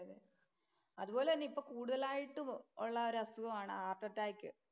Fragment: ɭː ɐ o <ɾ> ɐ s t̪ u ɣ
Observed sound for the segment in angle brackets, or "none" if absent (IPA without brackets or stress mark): ɾ